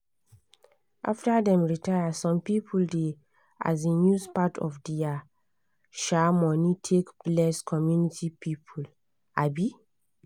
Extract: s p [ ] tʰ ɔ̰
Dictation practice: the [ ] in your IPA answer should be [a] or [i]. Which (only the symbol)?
a